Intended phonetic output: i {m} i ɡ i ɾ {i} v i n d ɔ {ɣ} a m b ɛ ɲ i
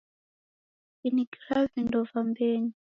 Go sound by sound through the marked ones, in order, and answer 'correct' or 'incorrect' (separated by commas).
incorrect, incorrect, incorrect